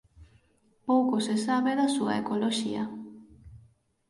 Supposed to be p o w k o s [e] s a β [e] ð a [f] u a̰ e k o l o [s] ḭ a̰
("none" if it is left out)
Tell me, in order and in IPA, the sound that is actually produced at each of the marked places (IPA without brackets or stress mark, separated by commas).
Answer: e, e, s, ʃ